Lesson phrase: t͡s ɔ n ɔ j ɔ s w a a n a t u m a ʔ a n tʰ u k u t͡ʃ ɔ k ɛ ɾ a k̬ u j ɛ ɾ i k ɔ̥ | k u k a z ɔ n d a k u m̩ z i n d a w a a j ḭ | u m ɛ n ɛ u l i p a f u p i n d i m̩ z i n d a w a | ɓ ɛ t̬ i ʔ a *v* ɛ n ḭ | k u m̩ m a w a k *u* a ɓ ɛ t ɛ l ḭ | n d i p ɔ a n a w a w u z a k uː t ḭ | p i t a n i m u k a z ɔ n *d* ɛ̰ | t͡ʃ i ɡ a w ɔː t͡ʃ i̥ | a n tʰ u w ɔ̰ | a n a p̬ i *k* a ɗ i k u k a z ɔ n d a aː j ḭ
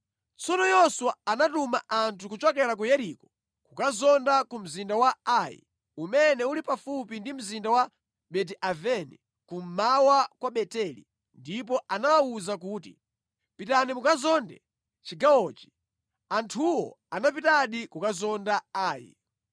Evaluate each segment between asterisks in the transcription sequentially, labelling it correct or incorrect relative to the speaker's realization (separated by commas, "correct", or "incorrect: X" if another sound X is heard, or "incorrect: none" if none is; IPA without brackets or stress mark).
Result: correct, incorrect: w, correct, incorrect: t